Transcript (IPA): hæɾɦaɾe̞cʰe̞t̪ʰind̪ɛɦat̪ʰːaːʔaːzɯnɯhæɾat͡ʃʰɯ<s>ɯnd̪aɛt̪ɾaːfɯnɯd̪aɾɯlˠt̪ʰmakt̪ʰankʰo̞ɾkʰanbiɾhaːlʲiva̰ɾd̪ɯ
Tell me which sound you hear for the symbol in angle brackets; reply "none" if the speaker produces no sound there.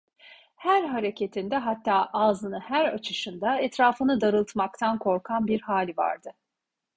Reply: ʃ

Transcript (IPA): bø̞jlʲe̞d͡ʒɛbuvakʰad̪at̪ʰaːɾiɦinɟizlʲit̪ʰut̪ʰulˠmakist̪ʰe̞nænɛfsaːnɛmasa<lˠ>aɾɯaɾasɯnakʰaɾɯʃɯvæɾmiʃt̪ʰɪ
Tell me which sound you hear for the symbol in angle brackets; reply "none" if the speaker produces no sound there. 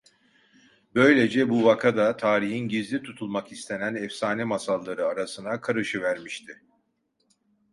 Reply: lˠː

